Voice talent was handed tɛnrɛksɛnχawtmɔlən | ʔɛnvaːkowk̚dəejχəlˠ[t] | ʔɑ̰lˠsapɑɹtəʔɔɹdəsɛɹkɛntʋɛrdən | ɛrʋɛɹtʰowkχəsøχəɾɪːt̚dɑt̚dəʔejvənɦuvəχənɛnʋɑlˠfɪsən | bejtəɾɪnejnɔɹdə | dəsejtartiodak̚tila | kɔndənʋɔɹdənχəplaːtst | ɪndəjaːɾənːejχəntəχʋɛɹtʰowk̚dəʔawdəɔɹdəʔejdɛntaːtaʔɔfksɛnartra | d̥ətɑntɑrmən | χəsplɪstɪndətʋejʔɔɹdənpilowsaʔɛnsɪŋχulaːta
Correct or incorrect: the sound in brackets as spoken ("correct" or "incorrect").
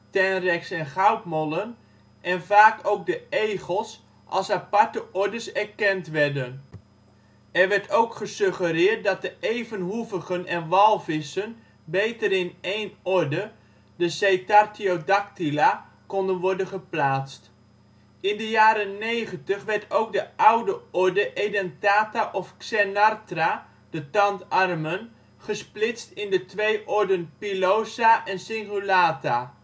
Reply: incorrect